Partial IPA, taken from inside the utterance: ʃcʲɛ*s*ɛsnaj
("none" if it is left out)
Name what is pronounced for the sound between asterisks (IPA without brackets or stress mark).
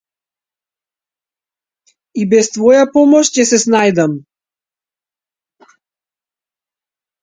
s